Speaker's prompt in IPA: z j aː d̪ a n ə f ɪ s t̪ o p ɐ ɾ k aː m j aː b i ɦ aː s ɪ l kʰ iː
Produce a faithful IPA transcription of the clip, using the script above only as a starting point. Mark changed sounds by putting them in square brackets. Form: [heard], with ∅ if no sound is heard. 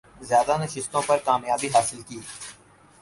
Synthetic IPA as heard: z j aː d̪ a n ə [ʃ] ɪ s t̪ [õ] p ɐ ɾ k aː m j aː b i ɦ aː s ɪ l [k] iː